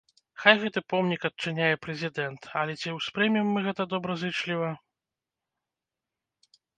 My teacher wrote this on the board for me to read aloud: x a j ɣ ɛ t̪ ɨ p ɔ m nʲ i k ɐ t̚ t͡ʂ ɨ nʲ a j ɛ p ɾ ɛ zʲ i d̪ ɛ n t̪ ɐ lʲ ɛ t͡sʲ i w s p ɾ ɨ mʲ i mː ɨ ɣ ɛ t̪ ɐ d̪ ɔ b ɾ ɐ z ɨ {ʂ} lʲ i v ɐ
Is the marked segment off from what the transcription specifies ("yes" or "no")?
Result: yes